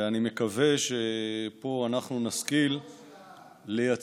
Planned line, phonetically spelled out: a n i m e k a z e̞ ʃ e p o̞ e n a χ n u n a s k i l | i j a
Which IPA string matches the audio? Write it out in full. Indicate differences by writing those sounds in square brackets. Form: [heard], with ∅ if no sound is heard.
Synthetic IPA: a n i m e k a [v] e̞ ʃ e p o̞ [a] n a χ n u n a s k i l | [e] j a